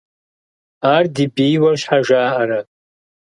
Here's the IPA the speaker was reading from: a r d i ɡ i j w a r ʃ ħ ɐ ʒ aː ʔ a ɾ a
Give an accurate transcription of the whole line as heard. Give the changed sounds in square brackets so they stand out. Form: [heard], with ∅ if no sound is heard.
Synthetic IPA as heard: a r d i [b] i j w a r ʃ ħ [a] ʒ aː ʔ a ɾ a